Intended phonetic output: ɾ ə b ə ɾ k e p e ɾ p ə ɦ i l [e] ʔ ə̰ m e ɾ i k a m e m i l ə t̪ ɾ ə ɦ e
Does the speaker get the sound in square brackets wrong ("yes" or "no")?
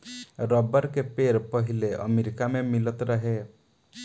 no